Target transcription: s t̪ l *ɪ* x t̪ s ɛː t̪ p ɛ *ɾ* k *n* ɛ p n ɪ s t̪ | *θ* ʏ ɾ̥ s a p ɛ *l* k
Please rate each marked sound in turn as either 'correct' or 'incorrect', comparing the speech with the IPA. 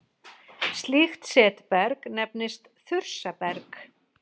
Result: incorrect, correct, correct, correct, incorrect

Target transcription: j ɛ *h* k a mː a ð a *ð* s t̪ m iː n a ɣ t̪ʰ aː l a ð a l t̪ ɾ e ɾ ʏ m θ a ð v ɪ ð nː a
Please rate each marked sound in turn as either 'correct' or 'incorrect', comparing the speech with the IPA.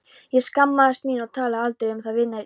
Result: incorrect, incorrect

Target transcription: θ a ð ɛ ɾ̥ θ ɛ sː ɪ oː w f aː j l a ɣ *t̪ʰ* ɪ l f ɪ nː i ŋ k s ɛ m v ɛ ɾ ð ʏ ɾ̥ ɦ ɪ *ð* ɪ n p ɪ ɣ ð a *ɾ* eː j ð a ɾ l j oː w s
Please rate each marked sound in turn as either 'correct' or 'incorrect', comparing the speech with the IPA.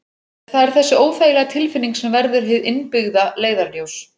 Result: correct, correct, incorrect

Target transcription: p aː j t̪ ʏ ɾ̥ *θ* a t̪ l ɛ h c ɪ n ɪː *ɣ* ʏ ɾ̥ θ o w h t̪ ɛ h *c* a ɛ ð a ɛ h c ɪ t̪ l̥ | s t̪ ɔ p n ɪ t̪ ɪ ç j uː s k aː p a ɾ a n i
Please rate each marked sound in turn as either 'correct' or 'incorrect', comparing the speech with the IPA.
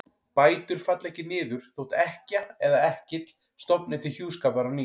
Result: incorrect, incorrect, correct

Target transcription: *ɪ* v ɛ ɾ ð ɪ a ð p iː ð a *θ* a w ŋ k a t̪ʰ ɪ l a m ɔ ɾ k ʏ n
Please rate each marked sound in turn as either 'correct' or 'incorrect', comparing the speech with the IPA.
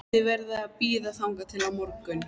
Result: correct, correct

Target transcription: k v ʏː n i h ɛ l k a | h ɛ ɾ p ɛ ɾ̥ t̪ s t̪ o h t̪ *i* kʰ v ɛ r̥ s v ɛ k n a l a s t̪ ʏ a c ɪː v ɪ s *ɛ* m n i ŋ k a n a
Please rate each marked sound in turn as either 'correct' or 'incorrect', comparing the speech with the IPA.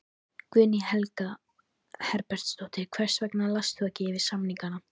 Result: incorrect, incorrect

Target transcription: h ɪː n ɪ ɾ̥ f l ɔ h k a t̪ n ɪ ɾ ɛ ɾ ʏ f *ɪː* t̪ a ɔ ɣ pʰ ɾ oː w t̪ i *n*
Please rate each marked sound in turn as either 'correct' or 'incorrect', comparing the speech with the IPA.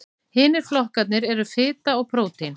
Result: correct, correct

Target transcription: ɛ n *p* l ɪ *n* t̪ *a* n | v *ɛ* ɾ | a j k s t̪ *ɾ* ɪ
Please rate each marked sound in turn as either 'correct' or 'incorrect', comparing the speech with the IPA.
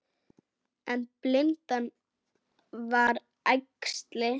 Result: correct, correct, correct, incorrect, incorrect

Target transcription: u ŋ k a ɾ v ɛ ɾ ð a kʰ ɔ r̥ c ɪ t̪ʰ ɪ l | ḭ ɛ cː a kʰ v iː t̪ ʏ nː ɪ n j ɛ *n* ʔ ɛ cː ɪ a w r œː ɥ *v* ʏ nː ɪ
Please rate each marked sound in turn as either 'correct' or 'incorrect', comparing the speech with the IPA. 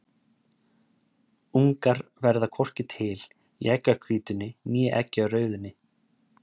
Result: incorrect, incorrect

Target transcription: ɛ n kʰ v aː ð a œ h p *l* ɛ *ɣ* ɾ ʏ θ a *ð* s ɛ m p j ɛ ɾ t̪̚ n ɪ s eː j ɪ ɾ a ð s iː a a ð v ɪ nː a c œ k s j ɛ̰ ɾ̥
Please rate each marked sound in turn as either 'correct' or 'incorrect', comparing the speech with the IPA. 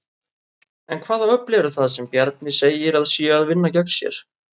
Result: correct, incorrect, correct

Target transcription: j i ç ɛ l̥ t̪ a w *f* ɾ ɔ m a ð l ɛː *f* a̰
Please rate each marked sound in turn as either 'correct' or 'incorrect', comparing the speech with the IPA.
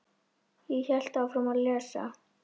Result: correct, incorrect

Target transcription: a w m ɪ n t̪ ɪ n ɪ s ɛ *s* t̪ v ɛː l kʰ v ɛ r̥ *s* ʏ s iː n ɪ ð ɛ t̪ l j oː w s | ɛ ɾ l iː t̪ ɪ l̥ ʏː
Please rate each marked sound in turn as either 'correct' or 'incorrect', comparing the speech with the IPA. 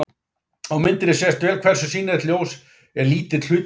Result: correct, correct

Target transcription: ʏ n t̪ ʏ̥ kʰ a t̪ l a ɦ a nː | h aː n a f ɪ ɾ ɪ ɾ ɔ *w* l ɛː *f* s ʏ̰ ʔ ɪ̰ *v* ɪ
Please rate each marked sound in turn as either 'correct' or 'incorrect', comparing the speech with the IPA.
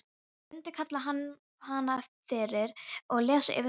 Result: incorrect, incorrect, correct

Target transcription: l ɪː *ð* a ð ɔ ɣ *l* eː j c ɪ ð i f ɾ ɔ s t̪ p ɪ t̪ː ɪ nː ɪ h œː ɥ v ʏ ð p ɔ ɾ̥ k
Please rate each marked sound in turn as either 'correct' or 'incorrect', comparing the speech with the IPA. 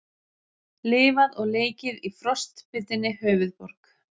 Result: incorrect, correct

